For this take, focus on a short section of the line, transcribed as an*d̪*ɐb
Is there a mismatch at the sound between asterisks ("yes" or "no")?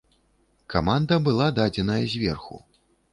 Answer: no